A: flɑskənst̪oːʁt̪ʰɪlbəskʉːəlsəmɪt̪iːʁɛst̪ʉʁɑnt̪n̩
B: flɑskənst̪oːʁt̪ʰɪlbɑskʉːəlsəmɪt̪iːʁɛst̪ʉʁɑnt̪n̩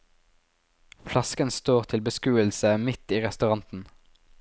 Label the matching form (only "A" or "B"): A